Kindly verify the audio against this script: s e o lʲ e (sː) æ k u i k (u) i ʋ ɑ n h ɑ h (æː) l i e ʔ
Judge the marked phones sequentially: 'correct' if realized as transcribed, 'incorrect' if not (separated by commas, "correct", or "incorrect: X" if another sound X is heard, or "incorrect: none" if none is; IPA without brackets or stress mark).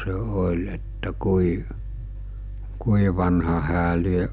incorrect: tː, correct, correct